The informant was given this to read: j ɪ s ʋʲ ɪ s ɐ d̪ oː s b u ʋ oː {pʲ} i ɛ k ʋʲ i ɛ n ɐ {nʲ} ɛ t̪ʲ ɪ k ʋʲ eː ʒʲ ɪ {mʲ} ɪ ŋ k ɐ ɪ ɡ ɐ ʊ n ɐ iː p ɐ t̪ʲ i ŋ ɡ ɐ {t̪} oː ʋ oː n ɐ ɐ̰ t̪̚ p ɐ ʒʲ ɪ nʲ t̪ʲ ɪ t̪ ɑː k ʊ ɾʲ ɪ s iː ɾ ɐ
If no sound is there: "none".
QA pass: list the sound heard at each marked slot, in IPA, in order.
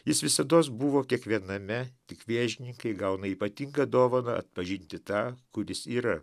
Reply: kʲ, mʲ, nʲ, d̪

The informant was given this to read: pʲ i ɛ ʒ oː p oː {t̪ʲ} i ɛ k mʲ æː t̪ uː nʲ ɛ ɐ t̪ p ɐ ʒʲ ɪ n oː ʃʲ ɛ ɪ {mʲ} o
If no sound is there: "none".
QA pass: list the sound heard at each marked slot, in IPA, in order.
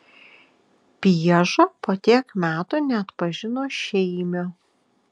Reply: t̪ʲ, mʲ

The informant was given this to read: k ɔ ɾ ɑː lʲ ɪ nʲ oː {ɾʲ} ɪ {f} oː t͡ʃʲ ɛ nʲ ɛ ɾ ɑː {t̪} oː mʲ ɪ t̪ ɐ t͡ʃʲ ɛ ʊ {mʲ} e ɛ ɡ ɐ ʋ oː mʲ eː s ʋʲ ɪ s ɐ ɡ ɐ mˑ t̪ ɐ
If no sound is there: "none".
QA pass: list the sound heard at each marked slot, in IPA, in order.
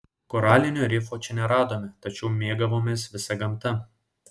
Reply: ɾʲ, f, d̪, mʲ

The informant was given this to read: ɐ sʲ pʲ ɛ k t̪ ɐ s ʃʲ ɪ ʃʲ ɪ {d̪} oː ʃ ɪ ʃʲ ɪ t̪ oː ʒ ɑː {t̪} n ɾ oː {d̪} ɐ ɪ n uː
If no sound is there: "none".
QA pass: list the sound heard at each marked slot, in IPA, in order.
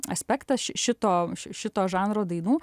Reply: t̪, none, d̪

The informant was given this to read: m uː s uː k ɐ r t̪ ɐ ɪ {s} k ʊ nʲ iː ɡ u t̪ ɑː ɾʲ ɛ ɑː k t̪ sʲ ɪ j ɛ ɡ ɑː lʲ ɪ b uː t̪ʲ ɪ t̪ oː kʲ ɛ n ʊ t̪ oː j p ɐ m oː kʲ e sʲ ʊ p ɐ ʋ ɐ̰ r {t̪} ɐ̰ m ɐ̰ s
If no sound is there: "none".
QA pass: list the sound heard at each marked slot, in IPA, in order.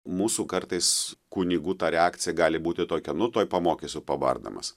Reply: s, d̪

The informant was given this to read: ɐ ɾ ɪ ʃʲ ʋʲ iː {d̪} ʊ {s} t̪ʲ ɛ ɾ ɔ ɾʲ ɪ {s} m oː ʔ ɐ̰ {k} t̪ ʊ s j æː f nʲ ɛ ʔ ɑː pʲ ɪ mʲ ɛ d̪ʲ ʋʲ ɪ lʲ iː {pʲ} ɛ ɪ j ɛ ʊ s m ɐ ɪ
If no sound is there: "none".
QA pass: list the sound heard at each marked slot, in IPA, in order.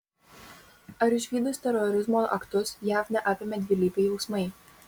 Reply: d̪, s, z, k, pʲ

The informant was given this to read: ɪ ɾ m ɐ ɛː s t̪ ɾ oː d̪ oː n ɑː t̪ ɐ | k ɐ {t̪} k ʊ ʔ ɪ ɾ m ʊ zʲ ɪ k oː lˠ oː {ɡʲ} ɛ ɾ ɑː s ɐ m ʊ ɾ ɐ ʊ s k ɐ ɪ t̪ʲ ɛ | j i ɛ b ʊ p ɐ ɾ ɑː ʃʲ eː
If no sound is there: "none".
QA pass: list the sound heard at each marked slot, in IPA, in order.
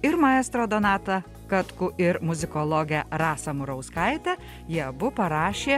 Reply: t̪, ɡʲ

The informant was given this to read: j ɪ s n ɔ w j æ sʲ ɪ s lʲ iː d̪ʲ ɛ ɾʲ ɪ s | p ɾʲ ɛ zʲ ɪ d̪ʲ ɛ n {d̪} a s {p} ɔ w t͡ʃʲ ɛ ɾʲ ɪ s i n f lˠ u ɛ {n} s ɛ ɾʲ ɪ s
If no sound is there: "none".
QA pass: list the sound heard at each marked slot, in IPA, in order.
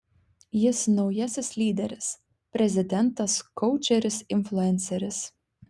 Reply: t̪, k, n

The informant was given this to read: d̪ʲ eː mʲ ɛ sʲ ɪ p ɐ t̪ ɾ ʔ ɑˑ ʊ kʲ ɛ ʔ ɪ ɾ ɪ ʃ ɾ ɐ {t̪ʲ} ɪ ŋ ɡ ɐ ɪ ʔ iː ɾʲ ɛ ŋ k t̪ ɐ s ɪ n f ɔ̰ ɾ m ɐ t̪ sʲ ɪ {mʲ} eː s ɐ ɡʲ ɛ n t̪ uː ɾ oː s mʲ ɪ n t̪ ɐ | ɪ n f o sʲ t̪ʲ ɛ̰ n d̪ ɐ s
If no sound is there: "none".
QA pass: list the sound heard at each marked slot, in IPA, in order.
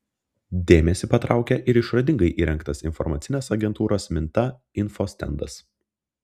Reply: d̪ʲ, nʲ

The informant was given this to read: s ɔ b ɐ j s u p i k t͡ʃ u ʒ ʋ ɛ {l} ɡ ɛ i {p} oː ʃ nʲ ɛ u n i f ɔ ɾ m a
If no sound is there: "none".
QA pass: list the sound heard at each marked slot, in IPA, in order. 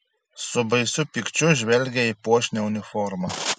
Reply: l, p

